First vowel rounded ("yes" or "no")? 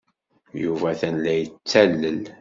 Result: yes